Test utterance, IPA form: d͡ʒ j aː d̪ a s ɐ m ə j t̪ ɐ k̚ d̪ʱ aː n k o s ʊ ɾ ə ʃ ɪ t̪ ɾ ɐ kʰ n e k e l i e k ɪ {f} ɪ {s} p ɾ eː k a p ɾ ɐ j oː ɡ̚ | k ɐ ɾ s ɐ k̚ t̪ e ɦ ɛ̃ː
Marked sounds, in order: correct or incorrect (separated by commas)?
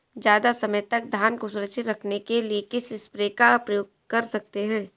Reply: incorrect, correct